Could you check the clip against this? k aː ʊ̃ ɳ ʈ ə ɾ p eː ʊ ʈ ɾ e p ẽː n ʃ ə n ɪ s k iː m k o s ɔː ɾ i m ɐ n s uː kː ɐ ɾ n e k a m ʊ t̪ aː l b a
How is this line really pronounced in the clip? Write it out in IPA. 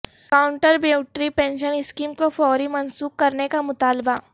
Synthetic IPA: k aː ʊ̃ ɳ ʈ ə ɾ b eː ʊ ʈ ɾ i p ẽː n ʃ ə n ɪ s k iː m k o f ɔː ɾ i m ɐ n s uː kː ɐ ɾ n e k a m ʊ t̪ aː l b a